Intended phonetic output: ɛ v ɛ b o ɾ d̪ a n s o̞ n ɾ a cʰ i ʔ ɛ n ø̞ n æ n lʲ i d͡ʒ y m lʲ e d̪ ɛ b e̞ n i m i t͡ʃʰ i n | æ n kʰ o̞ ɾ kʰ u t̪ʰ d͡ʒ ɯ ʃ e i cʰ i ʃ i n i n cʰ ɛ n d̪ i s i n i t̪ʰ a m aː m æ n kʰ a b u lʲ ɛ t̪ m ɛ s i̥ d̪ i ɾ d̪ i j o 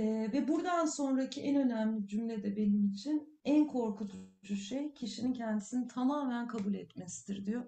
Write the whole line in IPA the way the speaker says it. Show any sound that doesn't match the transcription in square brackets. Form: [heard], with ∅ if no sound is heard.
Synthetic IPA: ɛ v ɛ b [u] ɾ d̪ a n s o̞ n ɾ a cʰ i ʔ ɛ n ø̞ n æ [m] lʲ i d͡ʒ y m lʲ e d̪ ɛ b e̞ n i m i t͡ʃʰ i n | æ n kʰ o̞ ɾ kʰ u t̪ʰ d͡ʒ [u] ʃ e [j] cʰ i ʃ i n i n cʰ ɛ n d̪ i s i n i t̪ʰ a m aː m æ n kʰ a b u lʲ ɛ t̪ m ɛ s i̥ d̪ i ɾ d̪ i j o